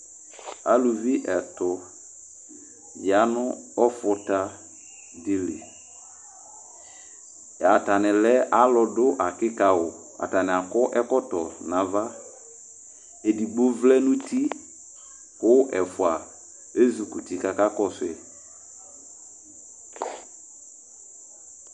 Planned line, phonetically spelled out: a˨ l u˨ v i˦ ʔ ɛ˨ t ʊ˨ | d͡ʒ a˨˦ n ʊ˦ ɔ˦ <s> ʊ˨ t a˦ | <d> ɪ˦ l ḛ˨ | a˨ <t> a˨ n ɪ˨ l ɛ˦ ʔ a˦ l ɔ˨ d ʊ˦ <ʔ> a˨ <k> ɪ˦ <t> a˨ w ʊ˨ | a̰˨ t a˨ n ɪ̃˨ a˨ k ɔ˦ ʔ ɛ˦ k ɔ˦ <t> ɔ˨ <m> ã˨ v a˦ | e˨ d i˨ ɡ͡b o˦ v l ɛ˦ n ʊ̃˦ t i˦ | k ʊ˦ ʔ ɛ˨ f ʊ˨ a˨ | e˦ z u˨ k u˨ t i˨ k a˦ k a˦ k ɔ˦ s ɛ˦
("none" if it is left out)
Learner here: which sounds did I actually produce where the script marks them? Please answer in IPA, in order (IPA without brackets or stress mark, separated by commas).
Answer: f, d, t, ʔ, k, k, t, n